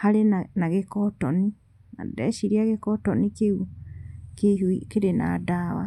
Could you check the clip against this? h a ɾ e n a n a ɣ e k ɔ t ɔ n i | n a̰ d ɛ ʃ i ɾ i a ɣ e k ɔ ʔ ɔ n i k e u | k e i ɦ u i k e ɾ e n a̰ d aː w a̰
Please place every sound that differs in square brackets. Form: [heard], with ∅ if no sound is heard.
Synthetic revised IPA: h a ɾ e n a n a ɣ e k ɔ t ɔ n i | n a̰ d ɛ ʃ i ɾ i a ɣ e k ɔ [t] ɔ n i k e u | k e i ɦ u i k e ɾ e n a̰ d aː w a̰